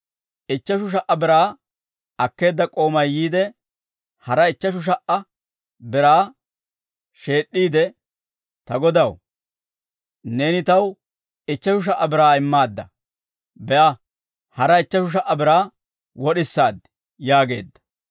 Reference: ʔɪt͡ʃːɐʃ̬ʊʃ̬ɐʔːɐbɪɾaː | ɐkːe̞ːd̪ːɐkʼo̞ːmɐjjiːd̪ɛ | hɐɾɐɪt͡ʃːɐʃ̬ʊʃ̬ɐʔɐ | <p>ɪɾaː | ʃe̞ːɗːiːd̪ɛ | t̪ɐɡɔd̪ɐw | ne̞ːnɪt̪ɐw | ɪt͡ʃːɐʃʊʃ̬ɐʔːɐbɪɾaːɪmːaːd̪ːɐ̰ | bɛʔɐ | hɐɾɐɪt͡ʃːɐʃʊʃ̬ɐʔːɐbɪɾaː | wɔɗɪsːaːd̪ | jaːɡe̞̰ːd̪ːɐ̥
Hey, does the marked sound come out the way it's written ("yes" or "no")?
no